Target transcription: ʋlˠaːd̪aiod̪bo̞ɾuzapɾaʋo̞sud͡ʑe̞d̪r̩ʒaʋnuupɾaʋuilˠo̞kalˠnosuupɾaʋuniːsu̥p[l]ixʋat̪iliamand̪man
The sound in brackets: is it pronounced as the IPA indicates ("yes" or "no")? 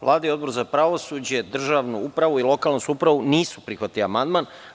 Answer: no